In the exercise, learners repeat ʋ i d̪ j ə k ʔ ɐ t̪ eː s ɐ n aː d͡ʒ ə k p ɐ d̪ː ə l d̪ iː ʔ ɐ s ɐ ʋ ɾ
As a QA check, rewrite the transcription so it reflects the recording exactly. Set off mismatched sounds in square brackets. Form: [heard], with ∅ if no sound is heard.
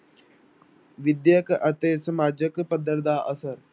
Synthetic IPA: ʋ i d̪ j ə k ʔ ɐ t̪ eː s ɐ [m] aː d͡ʒ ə k p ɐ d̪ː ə [ɾ] d̪ [aː] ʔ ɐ s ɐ [∅] ɾ